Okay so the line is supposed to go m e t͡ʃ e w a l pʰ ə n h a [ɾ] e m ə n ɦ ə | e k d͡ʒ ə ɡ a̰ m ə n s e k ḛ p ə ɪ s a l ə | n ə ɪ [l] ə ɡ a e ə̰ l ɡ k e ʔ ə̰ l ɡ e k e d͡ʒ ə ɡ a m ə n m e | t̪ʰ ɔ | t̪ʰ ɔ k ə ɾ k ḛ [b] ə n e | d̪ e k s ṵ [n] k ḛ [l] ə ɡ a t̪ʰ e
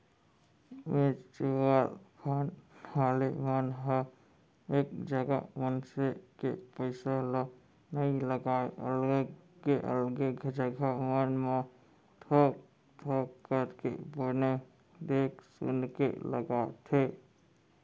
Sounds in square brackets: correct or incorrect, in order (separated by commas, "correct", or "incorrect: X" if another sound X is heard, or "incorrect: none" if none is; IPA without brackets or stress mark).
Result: incorrect: l, correct, correct, correct, correct